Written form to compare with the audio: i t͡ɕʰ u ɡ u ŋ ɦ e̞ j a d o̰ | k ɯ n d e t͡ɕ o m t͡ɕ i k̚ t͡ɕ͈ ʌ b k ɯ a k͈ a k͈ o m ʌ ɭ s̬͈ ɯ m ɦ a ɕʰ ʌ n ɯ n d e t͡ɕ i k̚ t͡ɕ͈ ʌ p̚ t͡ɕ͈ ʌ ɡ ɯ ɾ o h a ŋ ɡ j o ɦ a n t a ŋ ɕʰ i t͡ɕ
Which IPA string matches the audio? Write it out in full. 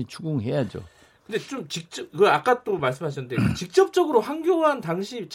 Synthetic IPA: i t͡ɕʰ u ɡ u ŋ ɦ e̞ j a d͡ʑ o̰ | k ɯ n d e t͡ɕ o m t͡ɕ i k̚ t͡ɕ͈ ʌ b k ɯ a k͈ a t͈ o m a ɭ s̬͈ ɯ m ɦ a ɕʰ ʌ n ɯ n d e t͡ɕ i k̚ t͡ɕ͈ ʌ p̚ t͡ɕ͈ ʌ ɡ ɯ ɾ o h a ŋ ɡ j o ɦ a n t a ŋ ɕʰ i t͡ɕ